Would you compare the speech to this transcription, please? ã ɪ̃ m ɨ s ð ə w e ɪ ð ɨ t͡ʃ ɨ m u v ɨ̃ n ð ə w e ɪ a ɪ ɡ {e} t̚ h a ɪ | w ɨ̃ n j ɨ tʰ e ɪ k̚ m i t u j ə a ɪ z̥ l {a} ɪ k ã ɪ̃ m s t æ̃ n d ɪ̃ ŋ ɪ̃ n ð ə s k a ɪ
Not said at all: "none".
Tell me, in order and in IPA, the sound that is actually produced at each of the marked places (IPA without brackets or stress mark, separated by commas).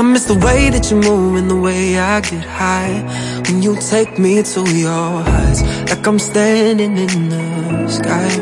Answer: ɛ, a